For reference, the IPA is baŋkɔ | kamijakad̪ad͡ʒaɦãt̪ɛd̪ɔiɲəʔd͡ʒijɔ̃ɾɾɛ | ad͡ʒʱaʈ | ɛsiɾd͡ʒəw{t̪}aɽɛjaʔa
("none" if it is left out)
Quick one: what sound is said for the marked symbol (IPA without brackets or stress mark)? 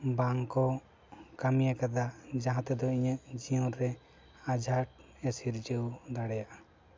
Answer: d̪